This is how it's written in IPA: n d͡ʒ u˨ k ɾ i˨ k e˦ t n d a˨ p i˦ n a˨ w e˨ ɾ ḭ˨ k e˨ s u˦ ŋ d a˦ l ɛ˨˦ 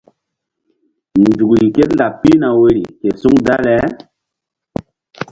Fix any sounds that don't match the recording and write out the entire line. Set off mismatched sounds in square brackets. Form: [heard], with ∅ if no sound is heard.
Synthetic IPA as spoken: n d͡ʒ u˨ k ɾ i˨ k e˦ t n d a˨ p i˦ n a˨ w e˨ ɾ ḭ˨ k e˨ s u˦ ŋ d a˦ l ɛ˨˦

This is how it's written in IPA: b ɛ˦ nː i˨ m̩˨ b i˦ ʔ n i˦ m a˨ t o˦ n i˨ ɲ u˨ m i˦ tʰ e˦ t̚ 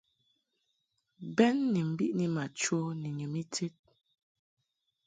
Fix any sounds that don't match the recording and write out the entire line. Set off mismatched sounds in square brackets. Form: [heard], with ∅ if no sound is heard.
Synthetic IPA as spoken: b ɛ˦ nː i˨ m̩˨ b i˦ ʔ n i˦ m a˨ [t͡ʃ] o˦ n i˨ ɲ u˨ m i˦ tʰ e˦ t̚

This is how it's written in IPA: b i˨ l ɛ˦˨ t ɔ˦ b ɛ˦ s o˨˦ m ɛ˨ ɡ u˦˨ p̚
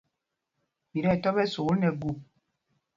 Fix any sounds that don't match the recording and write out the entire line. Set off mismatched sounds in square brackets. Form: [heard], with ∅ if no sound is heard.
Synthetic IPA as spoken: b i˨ [ɾ] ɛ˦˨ t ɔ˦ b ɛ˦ s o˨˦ [n] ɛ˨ ɡ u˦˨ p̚

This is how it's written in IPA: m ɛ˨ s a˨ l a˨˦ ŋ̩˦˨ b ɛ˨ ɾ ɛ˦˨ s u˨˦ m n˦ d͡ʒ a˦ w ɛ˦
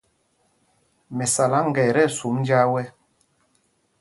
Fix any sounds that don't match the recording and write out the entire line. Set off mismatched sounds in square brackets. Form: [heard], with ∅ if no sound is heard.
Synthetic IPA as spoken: m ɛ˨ s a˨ l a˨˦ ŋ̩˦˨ [ɡ] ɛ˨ ɾ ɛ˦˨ s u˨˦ m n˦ d͡ʒ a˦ w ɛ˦

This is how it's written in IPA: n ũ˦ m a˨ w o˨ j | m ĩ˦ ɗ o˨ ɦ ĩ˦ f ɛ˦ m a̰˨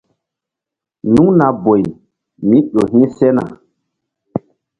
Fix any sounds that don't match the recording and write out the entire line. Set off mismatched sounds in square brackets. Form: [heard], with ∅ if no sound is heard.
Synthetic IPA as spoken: n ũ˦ [n] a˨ [b] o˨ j | m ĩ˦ ɗ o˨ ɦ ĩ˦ [s] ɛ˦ [n] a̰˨

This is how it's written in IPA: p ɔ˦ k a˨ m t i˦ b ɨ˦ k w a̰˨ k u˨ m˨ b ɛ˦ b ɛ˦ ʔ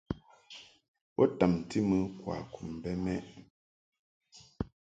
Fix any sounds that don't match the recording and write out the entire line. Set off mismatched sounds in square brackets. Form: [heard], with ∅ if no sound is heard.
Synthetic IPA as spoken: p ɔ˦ [t] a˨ m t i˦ [m] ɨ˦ k w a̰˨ k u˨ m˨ b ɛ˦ [m] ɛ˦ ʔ

